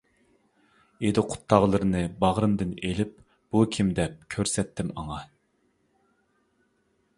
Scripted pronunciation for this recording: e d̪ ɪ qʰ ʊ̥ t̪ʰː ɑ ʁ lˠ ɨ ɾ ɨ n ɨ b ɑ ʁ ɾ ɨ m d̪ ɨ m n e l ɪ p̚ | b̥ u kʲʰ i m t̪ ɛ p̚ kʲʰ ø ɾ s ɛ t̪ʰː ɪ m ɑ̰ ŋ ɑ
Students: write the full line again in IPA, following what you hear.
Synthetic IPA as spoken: e d̪ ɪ qʰ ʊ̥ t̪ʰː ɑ ʁ lˠ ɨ ɾ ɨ n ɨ b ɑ ʁ ɾ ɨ m d̪ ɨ n e l ɪ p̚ | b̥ u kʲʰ i m d̪ ɛ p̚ kʲʰ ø ɾ s ɛ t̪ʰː ɪ m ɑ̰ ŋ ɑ